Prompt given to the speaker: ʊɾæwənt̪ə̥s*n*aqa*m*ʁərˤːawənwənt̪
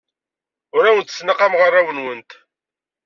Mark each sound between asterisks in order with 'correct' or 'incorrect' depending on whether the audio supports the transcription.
correct, correct

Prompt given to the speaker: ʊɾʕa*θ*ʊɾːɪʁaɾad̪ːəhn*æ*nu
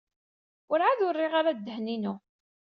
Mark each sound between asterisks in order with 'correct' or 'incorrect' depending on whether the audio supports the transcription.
incorrect: ð, incorrect: i

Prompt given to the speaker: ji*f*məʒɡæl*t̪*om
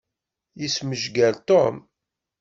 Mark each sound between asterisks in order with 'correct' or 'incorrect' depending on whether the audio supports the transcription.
incorrect: s, correct

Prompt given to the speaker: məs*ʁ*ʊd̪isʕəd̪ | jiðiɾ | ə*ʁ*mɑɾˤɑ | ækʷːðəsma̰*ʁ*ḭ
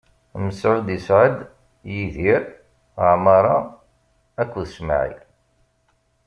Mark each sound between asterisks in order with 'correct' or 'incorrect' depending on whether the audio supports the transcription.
incorrect: ʕ, incorrect: ʕ, incorrect: ʕ

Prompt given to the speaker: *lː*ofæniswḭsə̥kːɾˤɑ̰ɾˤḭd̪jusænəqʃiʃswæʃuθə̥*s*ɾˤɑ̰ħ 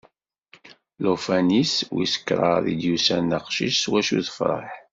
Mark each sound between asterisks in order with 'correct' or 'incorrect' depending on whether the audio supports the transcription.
incorrect: l, incorrect: f

